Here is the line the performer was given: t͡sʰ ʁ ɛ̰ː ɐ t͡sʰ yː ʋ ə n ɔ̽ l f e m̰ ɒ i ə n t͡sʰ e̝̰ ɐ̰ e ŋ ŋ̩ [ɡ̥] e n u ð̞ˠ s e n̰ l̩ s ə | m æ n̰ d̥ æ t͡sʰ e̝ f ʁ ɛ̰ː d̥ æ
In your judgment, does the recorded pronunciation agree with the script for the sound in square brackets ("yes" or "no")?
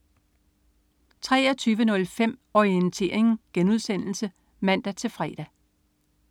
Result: yes